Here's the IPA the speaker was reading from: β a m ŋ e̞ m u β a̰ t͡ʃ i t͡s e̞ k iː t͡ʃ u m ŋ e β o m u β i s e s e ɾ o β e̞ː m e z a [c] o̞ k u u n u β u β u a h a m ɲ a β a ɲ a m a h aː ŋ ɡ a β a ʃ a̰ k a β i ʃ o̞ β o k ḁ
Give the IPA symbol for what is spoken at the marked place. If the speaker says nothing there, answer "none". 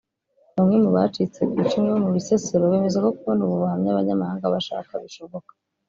k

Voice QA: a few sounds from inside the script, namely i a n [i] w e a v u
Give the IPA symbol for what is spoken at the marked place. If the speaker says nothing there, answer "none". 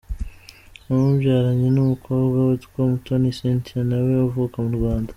a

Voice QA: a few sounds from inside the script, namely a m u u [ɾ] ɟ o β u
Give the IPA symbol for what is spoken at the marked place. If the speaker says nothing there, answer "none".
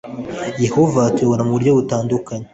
ɾ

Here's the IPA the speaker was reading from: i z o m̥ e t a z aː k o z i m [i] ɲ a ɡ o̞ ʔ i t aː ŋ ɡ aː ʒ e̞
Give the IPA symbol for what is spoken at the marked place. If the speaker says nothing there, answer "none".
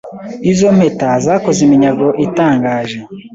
i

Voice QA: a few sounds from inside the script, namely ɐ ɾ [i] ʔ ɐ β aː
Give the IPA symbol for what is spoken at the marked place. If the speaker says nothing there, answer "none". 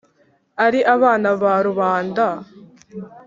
i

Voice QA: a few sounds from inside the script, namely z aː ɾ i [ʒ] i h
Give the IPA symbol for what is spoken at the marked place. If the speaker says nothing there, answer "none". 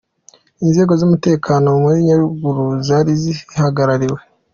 z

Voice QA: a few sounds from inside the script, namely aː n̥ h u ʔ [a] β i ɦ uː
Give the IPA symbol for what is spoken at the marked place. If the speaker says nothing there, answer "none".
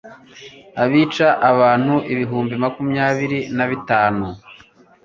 i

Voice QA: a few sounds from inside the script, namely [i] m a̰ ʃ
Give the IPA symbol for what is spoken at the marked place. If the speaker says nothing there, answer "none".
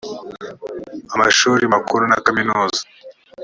a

